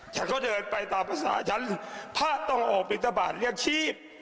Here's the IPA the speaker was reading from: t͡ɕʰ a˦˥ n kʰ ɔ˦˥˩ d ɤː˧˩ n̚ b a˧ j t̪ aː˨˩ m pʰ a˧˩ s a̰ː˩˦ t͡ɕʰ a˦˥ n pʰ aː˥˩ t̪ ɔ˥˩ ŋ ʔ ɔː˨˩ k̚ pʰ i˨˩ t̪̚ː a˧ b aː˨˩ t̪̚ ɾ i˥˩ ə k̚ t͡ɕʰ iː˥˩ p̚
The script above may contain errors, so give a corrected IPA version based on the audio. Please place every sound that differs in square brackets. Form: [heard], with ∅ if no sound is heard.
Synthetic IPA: t͡ɕʰ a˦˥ n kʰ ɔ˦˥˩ d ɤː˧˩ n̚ [p] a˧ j t̪ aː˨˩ m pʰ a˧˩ s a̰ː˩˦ t͡ɕʰ a˦˥ n pʰ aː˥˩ t̪ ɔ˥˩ ŋ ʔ ɔː˨˩ k̚ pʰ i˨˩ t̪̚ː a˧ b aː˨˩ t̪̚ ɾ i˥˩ ə k̚ t͡ɕʰ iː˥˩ p̚